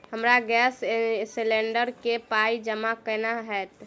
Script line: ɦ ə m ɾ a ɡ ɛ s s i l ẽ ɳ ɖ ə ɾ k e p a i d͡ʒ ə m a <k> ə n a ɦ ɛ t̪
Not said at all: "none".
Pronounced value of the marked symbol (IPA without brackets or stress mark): k